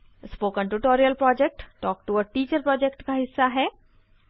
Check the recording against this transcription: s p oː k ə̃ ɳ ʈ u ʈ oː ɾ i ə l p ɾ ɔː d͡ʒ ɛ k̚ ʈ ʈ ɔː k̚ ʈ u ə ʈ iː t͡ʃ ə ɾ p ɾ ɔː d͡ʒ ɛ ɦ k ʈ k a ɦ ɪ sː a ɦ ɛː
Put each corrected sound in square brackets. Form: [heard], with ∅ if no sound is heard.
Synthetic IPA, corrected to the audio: s p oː k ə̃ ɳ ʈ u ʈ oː ɾ i ə l p ɾ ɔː d͡ʒ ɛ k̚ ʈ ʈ ɔː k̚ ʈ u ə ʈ iː t͡ʃ ə ɾ p ɾ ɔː d͡ʒ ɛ [∅] k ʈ k a ɦ ɪ sː a ɦ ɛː